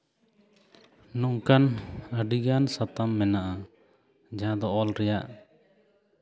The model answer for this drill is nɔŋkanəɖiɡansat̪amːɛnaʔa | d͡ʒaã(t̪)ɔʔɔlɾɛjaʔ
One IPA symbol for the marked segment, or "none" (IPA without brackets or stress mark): d̪